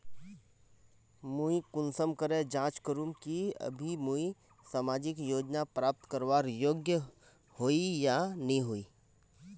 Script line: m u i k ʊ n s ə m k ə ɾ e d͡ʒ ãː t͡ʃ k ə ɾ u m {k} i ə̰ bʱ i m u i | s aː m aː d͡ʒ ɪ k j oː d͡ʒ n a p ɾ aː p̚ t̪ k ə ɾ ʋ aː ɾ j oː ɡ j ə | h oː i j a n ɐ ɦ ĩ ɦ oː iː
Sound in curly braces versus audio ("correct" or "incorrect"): correct